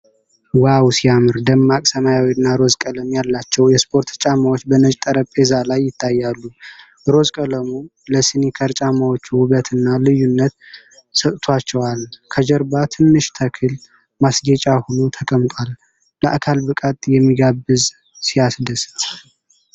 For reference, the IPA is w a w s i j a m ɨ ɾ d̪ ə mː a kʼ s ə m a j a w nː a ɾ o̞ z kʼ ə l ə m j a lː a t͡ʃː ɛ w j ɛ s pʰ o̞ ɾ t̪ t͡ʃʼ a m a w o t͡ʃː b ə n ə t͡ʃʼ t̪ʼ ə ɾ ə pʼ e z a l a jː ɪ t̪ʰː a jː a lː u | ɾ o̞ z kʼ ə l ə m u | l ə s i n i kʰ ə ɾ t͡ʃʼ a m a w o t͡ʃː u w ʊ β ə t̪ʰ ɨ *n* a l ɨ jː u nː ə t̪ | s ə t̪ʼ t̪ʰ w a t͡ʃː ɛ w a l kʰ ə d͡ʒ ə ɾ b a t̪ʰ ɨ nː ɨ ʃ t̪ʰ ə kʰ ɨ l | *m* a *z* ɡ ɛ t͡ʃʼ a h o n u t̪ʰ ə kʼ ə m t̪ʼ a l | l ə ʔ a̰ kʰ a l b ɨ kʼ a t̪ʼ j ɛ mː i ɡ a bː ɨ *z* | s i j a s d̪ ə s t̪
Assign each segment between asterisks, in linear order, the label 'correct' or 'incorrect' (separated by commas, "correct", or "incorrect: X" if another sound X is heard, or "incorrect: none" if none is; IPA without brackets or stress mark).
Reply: incorrect: nː, correct, incorrect: s, correct